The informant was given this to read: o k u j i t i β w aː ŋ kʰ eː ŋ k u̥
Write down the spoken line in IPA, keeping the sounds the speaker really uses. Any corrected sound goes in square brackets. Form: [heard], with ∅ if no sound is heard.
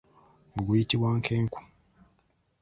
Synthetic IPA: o [ɡ] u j i t i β w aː ŋ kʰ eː ŋ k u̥